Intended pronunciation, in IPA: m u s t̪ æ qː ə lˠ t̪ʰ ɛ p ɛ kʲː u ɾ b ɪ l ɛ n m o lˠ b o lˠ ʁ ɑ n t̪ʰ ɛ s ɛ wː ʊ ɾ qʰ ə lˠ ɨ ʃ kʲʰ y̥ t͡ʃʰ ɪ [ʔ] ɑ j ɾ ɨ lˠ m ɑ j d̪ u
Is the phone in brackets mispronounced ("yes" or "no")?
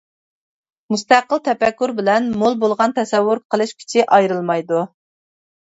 no